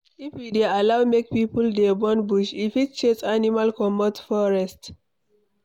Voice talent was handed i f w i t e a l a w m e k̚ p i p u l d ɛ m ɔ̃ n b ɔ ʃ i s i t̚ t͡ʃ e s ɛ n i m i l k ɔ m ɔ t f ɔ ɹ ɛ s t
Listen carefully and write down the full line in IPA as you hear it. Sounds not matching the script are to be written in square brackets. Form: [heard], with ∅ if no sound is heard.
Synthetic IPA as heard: i f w i [d] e a l a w m e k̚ p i p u l d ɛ [b] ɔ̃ n b [u] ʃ i [f] i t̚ t͡ʃ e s [a] n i m [a] l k ɔ m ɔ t f ɔ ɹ ɛ s t